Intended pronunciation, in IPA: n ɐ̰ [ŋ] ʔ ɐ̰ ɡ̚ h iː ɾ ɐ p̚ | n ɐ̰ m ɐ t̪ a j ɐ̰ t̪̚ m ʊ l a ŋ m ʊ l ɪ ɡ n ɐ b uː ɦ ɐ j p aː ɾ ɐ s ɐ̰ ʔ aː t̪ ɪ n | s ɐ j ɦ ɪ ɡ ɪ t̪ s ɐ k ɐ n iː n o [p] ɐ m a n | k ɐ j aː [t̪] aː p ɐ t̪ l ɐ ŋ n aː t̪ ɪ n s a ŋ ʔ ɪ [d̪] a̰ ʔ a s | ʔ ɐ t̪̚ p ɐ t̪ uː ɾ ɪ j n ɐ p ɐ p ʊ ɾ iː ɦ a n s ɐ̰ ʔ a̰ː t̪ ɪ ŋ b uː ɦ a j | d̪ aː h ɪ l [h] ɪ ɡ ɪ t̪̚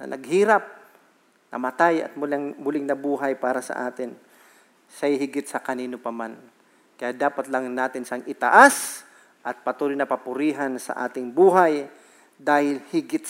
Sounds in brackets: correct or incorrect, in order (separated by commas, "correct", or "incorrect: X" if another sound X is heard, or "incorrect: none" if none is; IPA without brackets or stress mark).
incorrect: n, correct, incorrect: d̪, incorrect: t̪, correct